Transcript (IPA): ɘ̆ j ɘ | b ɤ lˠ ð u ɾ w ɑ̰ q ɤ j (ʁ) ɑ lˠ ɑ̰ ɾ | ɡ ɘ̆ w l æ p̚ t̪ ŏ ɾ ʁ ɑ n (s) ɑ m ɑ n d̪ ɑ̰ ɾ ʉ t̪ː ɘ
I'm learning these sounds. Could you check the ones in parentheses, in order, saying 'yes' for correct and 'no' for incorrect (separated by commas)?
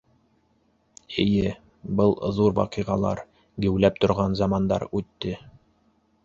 yes, no